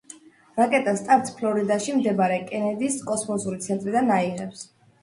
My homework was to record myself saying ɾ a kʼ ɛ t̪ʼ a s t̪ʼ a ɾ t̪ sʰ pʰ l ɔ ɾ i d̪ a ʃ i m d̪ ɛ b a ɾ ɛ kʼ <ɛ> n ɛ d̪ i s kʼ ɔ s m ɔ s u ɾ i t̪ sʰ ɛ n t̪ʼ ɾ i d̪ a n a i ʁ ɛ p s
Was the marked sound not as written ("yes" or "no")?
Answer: no